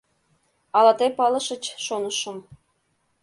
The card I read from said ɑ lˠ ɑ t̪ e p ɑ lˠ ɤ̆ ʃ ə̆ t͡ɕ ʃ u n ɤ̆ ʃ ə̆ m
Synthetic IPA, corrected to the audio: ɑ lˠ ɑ t̪ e p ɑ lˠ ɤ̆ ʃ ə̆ t͡ɕ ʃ o n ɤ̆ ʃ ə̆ m